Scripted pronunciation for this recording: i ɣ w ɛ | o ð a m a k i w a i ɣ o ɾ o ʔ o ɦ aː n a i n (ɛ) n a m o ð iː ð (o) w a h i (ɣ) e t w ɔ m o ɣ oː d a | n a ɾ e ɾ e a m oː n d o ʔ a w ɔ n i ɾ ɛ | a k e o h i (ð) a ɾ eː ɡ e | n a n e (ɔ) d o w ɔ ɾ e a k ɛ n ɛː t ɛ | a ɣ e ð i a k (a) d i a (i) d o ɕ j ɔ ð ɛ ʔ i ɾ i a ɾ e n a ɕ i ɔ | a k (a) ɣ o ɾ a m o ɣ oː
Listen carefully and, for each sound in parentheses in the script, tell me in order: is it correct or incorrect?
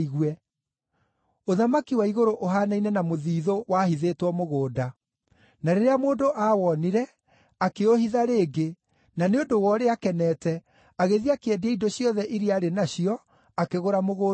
correct, correct, incorrect, correct, incorrect, incorrect, correct, incorrect

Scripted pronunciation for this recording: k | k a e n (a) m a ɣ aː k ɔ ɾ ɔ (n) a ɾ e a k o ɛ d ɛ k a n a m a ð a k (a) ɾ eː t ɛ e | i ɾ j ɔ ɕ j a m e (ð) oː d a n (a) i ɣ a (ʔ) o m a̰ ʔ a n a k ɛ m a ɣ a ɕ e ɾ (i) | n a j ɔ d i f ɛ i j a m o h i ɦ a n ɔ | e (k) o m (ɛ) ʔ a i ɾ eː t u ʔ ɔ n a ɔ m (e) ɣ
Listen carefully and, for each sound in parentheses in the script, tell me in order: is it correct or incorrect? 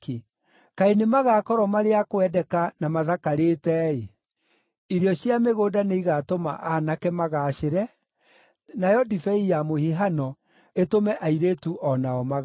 incorrect, incorrect, correct, incorrect, incorrect, incorrect, incorrect, incorrect, correct, incorrect

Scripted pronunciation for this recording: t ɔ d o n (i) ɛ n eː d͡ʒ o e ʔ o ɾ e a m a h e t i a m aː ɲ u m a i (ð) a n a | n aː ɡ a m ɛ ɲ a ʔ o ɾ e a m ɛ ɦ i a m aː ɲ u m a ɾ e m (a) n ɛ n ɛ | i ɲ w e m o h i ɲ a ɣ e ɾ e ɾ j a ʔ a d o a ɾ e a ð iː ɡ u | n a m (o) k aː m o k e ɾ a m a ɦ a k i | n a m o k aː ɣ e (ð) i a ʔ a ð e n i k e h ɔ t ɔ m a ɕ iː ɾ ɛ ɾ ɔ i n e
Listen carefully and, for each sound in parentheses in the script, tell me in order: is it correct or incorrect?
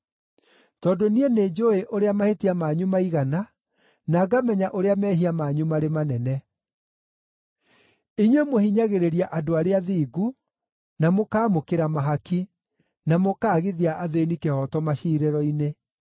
correct, incorrect, correct, correct, correct

